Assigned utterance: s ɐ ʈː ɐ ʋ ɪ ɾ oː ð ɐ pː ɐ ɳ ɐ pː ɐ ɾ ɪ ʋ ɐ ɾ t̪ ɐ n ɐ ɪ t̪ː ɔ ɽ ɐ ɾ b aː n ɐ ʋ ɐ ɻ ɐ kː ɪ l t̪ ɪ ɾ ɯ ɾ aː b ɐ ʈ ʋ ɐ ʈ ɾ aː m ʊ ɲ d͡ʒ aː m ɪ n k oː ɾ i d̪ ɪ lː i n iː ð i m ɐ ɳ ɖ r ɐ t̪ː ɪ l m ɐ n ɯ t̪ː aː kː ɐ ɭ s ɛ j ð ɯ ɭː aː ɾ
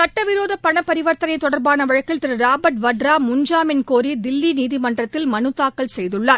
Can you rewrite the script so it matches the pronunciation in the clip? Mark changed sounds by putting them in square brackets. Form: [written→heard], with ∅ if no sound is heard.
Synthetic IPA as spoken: s ɐ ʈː ɐ ʋ ɪ ɾ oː ð ɐ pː ɐ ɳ ɐ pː ɐ ɾ ɪ ʋ ɐ ɾ t̪ ɐ n ɐ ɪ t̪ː ɔ ɽ ɐ ɾ b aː n ɐ ʋ ɐ ɻ ɐ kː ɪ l t̪ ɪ ɾ ɯ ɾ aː b ɐ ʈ ʋ ɐ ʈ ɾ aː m ʊ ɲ d͡ʒ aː m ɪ n k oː ɾ i d̪ ɪ lː i n iː ð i m ɐ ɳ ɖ r ɐ t̪ː ɪ l m ɐ n ɯ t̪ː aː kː ɐ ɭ s ɛ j ð ɯ ɭː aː ɾ

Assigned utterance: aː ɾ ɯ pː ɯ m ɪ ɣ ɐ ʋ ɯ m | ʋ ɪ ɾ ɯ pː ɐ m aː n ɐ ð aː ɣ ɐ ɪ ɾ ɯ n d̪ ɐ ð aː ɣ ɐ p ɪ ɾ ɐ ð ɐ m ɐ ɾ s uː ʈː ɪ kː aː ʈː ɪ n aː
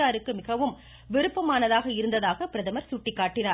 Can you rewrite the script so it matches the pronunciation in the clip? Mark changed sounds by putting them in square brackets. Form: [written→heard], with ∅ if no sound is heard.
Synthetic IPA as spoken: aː ɾ ɯ [pː→kː] ɯ m ɪ ɣ ɐ ʋ ɯ m | ʋ ɪ ɾ ɯ pː ɐ m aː n ɐ ð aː ɣ ɐ ɪ ɾ ɯ n d̪ ɐ ð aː ɣ ɐ p ɪ ɾ ɐ ð ɐ m ɐ ɾ s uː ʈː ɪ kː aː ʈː ɪ n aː

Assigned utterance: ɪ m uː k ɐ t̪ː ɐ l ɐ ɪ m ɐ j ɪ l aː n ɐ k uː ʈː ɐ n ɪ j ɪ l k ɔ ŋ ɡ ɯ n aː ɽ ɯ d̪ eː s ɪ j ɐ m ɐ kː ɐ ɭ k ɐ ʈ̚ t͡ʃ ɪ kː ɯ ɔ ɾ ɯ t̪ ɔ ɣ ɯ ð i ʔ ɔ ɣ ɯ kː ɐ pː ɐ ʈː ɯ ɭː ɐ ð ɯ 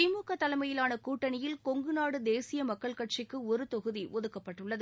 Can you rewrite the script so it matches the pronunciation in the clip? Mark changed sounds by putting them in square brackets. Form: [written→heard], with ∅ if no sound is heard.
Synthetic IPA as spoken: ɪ m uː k ɐ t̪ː ɐ l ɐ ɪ m ɐ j ɪ l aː n ɐ k uː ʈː ɐ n ɪ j ɪ l k ɔ ŋ ɡ ɯ n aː ɽ ɯ d̪ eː s ɪ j ɐ m ɐ kː ɐ ɭ k ɐ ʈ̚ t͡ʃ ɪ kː ɯ ɔ ɾ ɯ t̪ ɔ ɣ ɯ ð i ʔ ɔ [ɣ→ð] ɯ kː ɐ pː ɐ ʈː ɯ ɭː ɐ ð ɯ

